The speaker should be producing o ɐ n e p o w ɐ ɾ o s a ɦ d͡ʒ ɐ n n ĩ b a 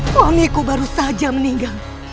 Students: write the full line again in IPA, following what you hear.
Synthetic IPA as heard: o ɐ m e k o b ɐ ɾ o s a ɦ d͡ʒ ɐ m n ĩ ɡ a